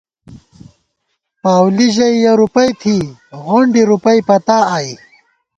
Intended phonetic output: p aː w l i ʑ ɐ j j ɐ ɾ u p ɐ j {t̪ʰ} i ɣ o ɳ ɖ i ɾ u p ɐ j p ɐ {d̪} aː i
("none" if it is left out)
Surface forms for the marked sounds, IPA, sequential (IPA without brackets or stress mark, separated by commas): t̪ʰ, t̪